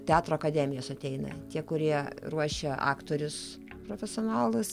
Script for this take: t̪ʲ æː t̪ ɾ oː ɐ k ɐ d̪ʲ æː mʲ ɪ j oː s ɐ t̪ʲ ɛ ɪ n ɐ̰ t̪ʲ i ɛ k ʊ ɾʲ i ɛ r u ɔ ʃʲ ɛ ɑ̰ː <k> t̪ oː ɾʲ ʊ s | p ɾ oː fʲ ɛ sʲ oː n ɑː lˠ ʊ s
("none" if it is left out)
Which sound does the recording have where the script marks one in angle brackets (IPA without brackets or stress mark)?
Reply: k